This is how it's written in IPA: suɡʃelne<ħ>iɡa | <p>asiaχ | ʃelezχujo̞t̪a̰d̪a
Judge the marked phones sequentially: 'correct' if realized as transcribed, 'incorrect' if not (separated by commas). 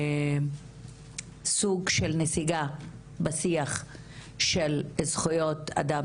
incorrect, incorrect